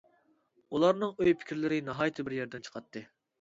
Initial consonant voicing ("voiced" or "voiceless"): voiced